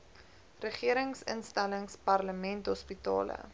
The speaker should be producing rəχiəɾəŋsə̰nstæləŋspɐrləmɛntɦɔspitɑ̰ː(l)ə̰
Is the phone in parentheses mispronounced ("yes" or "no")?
no